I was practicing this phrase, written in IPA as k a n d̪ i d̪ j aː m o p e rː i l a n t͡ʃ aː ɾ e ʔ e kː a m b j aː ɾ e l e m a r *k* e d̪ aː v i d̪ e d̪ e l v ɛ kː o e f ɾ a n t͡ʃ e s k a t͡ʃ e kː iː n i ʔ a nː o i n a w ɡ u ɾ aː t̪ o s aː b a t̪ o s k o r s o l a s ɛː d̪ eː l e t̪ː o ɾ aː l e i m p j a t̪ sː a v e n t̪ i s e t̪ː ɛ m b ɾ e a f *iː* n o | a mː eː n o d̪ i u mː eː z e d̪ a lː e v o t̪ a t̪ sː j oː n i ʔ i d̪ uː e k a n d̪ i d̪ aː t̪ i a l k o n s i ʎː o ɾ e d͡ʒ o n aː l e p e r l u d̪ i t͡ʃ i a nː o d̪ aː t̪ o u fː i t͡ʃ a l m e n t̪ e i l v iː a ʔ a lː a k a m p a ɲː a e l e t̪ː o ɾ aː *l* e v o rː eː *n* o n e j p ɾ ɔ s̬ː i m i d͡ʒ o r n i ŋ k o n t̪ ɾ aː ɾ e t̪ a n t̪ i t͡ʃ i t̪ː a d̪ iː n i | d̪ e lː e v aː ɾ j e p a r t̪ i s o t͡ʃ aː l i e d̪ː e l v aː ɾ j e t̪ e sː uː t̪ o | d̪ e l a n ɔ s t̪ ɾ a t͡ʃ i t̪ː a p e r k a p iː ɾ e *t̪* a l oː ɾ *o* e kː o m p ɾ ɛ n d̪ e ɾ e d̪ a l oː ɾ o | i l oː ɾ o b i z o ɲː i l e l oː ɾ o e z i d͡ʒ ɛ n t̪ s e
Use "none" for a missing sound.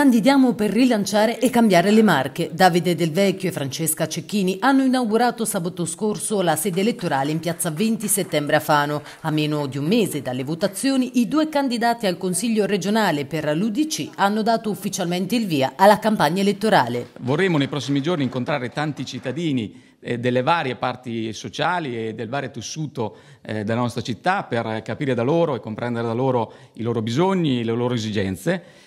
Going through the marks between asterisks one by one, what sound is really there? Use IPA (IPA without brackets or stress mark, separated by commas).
k, aː, l, m, d̪, o